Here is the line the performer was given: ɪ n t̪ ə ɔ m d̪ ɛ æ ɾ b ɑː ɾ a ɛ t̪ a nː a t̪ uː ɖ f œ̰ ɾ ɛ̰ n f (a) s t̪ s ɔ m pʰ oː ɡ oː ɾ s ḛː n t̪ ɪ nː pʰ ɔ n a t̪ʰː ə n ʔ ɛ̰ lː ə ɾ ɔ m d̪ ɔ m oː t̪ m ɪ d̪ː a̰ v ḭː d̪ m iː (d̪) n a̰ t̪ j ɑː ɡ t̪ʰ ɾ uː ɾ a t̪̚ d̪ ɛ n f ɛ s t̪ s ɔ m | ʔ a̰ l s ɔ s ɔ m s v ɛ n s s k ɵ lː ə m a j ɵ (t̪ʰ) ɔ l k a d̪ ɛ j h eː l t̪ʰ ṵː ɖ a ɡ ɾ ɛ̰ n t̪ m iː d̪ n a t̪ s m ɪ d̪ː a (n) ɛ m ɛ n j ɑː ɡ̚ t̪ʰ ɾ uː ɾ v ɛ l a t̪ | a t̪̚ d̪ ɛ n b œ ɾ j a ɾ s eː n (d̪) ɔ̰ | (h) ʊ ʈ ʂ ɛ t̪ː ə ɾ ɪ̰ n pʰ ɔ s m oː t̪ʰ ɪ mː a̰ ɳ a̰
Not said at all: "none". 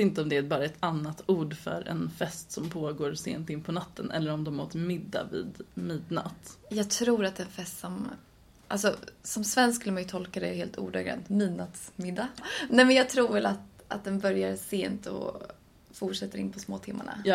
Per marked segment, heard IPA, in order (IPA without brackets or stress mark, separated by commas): ɛ, d̪, t̪ʰ, n, t̪, f